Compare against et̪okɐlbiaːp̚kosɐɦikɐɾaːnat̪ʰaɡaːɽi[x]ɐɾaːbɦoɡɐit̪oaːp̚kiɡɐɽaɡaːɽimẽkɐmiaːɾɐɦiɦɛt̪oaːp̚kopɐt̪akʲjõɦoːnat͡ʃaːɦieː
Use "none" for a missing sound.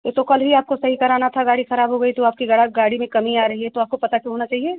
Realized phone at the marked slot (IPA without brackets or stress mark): x